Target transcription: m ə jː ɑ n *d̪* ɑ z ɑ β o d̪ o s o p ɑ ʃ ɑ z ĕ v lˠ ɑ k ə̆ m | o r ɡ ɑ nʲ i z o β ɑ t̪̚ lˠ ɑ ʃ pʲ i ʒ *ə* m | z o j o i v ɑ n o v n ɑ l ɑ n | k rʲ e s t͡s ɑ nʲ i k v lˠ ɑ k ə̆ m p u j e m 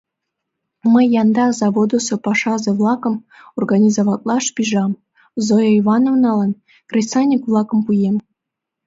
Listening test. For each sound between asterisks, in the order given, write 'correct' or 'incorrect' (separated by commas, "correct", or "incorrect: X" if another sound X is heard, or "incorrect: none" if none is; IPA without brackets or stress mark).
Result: correct, incorrect: ɑ